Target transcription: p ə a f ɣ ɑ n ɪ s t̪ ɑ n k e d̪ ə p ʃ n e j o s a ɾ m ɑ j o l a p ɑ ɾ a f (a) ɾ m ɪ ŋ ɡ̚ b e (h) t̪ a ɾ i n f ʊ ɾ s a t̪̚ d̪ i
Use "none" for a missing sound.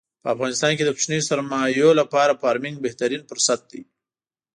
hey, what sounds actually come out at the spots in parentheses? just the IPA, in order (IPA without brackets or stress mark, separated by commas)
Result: ɑ, h